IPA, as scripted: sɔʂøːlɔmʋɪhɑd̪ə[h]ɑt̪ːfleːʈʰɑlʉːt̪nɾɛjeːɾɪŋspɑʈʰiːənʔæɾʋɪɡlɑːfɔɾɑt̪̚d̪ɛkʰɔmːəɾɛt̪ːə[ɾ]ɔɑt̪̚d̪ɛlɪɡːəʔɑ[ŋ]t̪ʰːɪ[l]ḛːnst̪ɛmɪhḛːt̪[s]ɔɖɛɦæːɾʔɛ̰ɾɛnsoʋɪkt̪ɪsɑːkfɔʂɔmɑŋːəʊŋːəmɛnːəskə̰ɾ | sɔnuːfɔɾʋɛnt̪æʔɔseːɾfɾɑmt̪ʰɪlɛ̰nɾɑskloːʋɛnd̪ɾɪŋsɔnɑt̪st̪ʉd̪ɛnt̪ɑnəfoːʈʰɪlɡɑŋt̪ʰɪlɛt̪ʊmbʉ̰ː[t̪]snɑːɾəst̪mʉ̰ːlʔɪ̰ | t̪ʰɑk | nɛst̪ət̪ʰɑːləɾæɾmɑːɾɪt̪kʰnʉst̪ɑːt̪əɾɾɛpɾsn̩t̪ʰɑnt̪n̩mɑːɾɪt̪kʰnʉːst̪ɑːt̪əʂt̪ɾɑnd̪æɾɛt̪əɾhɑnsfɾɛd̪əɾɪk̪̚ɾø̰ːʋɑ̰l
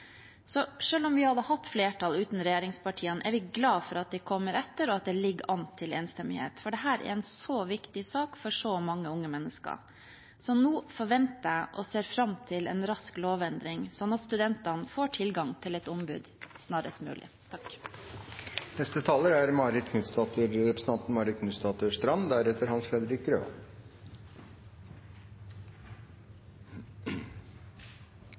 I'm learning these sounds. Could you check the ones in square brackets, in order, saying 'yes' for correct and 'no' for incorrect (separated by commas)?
yes, yes, no, yes, no, no